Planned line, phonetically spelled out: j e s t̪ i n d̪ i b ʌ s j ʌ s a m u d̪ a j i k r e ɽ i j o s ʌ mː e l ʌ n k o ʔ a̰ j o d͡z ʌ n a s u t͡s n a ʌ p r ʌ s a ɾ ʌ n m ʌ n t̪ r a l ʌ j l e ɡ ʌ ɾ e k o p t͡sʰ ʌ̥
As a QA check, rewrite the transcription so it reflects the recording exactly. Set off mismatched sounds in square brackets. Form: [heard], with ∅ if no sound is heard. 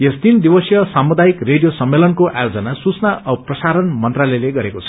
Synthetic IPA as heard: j e s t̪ i n d̪ i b ʌ s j ʌ s a m u d̪ a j i k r e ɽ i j o s ʌ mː e l ʌ n k o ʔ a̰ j o d͡z ʌ n a s u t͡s n a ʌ p r ʌ s a ɾ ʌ n m ʌ n t̪ r a l ʌ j l e ɡ ʌ ɾ e k o [∅] t͡sʰ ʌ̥

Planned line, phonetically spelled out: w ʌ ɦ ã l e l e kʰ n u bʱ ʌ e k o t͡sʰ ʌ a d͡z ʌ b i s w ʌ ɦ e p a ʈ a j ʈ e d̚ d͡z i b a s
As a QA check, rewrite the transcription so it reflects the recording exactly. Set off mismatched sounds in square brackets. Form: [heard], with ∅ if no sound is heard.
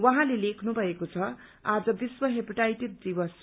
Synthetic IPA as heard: w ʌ ɦ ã l e l e kʰ n u bʱ ʌ e k o t͡sʰ ʌ a d͡z ʌ b i s w ʌ ɦ e p [i] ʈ a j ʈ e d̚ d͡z i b [ʌ] s

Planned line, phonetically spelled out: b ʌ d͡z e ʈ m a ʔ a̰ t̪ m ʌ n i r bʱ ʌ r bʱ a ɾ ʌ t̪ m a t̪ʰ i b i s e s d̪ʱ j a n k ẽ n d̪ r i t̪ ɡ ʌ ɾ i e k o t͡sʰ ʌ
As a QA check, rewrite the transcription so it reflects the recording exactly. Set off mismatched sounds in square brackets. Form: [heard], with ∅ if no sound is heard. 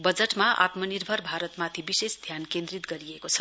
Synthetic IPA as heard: b ʌ d͡z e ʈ m a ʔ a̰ t̪ m ʌ n i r bʱ ʌ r bʱ a ɾ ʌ t̪ m a t̪ʰ i b i s e s d̪ʱ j a n k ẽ n d̪ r i t̪ ɡ ʌ ɾ i e k o t͡sʰ ʌ

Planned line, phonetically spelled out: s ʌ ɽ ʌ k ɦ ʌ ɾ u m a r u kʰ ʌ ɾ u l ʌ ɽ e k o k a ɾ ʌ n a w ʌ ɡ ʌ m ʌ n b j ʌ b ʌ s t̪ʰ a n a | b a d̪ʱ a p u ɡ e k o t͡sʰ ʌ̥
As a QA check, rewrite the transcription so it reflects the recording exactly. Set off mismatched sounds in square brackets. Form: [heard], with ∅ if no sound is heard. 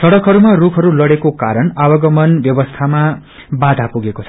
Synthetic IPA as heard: s ʌ ɽ ʌ k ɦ ʌ ɾ u m a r u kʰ ʌ ɾ u l ʌ ɽ e k o k a ɾ ʌ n a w ʌ ɡ ʌ m ʌ n b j ʌ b ʌ s t̪ʰ a [m] a | b a d̪ʱ a p u ɡ e k o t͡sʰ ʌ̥

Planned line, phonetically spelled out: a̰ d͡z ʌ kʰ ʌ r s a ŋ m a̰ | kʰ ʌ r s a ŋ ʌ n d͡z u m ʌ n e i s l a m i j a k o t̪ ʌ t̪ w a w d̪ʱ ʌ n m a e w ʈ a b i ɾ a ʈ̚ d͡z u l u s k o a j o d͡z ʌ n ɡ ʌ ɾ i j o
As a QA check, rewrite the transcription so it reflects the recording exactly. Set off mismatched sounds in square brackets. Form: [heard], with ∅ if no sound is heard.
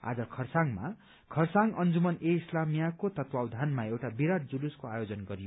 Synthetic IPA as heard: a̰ d͡z ʌ kʰ ʌ r s a ŋ m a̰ | kʰ ʌ r s a ŋ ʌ n d͡z u m ʌ n e i s l a m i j a k o t̪ ʌ t̪ w a w d̪ʱ [a] n m a e w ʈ a b i ɾ a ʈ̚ d͡z u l u s k o a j o d͡z ʌ n ɡ ʌ ɾ i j o

